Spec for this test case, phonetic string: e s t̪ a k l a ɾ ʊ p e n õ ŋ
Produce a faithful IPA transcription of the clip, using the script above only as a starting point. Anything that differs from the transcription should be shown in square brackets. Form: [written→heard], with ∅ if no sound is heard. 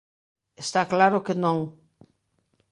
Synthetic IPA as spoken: e s t̪ a k l a ɾ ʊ [p→k] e n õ ŋ